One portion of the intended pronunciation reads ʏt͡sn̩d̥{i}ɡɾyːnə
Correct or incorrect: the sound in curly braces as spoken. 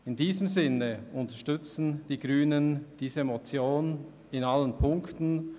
incorrect: iː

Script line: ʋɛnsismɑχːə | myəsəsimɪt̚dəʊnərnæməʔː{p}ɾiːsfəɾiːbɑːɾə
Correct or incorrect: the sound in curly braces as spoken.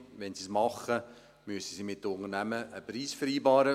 correct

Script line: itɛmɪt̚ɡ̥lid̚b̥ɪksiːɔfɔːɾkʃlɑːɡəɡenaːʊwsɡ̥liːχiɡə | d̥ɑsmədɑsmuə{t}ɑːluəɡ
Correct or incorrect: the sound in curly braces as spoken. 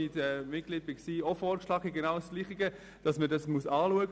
incorrect: s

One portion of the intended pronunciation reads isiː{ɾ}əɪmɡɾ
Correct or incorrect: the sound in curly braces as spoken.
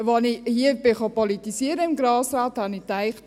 correct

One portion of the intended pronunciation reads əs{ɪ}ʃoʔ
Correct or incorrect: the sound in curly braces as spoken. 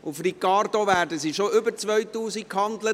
incorrect: i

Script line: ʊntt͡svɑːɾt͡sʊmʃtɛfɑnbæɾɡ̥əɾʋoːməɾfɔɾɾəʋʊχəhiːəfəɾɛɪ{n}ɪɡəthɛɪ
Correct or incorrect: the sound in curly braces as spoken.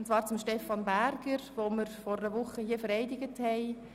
incorrect: d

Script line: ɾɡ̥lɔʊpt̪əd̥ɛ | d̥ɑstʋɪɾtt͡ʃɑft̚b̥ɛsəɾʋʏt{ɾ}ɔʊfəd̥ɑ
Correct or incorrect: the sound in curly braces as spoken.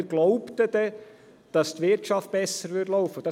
incorrect: l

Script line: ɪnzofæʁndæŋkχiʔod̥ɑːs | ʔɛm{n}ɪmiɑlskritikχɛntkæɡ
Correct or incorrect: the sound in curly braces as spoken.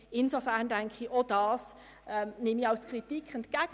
correct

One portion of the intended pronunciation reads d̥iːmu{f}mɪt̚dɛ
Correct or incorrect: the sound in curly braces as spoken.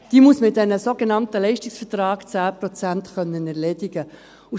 incorrect: s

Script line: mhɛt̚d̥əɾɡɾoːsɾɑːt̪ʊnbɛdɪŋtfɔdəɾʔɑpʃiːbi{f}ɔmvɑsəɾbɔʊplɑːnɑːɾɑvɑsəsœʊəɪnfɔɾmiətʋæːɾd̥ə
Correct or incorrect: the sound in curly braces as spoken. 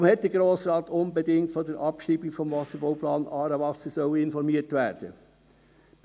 correct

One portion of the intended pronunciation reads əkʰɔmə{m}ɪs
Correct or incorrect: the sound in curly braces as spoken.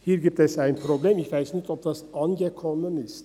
incorrect: n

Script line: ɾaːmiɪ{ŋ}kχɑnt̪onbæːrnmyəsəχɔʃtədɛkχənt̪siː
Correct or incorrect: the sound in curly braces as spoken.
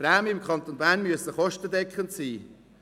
incorrect: m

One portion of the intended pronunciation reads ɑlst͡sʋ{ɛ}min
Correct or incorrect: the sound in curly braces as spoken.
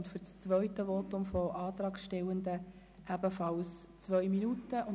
incorrect: œ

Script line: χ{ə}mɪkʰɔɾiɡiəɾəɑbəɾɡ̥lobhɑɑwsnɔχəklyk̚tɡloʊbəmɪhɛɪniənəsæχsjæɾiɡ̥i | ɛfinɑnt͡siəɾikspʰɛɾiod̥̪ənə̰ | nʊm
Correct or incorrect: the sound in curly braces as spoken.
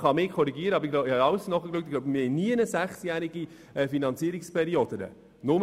incorrect: ɑ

